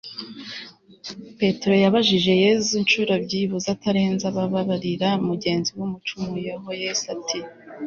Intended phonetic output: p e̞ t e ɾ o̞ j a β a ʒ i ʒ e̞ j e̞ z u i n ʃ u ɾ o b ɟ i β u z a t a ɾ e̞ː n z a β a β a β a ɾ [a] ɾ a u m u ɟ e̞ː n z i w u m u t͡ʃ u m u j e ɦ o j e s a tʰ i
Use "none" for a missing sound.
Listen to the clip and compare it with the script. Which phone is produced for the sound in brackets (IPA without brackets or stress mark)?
i